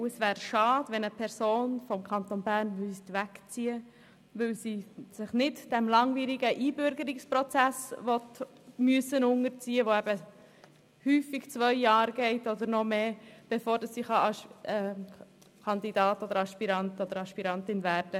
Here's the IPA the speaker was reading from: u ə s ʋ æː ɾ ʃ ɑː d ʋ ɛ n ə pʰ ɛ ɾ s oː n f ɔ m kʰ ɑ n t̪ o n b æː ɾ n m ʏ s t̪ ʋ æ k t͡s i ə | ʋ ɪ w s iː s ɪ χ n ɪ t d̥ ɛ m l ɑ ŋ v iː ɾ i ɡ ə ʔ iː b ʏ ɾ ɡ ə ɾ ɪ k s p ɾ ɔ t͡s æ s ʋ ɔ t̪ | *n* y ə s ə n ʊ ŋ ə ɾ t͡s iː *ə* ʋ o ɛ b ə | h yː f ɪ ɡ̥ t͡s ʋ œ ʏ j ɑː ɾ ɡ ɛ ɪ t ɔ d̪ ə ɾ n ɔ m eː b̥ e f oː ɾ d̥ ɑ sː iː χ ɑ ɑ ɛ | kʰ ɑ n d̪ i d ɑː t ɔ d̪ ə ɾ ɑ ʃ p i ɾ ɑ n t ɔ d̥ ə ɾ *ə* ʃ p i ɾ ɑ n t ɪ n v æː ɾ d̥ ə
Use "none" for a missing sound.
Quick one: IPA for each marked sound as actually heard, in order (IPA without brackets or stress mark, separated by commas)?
m, ə, ɑ